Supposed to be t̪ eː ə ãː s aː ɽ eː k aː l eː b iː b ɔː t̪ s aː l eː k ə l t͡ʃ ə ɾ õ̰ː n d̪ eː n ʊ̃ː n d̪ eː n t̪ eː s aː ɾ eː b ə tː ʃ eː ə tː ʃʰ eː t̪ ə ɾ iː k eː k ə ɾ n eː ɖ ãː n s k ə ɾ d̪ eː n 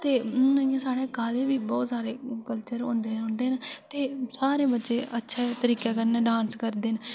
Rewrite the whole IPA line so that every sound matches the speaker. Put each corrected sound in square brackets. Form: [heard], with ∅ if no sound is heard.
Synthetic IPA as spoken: t̪ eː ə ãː s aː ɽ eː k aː l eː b iː b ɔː t̪ s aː [ɾ] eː k ə l t͡ʃ ə ɾ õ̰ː n d̪ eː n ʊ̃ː n d̪ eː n t̪ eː s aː ɾ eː b ə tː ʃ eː ə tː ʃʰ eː t̪ ə ɾ iː k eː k ə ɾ n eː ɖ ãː n s k ə ɾ d̪ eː n